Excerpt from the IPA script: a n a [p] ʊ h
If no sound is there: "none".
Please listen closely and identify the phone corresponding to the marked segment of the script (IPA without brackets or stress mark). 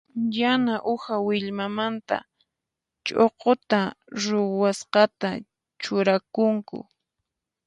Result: ʔ